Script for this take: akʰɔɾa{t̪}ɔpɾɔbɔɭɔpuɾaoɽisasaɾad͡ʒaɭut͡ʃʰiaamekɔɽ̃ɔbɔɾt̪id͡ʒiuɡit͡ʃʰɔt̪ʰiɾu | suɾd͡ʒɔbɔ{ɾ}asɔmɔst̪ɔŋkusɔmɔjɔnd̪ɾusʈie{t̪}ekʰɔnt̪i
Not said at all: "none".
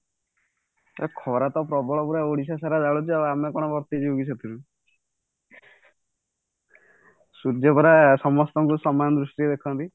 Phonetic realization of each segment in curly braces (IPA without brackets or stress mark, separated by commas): t̪, ɾ, d̪